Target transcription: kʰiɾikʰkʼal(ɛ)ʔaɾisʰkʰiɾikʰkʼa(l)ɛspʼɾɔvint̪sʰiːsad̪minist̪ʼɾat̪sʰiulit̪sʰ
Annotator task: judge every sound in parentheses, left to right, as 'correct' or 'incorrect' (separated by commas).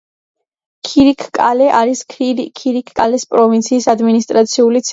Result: correct, correct